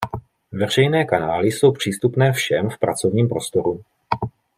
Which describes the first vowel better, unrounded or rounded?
unrounded